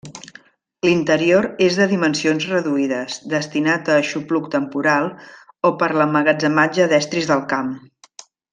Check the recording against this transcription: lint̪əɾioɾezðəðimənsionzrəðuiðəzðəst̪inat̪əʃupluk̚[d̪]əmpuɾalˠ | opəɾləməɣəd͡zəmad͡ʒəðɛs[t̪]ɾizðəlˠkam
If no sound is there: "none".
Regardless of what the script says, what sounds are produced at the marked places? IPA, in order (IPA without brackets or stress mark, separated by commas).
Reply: t̪, t̪